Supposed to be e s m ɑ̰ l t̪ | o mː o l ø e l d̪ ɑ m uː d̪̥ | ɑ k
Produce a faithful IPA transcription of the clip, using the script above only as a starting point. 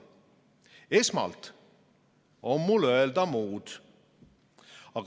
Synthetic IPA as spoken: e s m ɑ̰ l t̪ | o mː u l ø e l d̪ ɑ m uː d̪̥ | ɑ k